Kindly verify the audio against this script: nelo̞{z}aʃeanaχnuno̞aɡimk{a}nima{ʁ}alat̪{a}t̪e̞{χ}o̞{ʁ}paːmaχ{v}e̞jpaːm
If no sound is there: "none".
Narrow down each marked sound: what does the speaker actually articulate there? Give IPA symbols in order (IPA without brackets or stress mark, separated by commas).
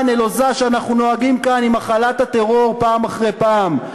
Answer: z, a, χ, a, ʁ, ʁ, ʁ